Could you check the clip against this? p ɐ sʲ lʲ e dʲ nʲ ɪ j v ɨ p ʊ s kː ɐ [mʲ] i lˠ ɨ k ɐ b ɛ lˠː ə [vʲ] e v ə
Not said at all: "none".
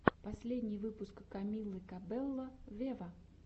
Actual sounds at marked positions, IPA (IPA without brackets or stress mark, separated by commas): mʲ, vʲ